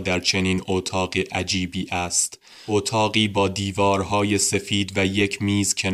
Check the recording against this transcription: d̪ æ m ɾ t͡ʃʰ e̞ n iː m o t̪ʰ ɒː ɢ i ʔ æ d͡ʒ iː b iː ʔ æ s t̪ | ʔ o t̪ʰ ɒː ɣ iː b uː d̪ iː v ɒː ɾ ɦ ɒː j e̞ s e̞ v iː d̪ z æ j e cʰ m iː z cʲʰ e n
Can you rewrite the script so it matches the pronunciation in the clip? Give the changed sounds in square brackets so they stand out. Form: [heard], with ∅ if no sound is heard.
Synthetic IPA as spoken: d̪ æ [∅] ɾ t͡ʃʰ e̞ n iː [n] o t̪ʰ ɒː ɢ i ʔ æ d͡ʒ iː b iː ʔ æ s t̪ | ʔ o t̪ʰ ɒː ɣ iː b [ɒː] d̪ iː v ɒː ɾ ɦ ɒː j e̞ s e̞ [f] iː d̪ [v] æ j e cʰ m iː z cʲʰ e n